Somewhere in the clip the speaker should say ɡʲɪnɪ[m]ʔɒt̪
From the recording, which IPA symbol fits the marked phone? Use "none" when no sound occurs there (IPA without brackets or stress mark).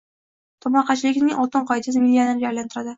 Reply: ŋ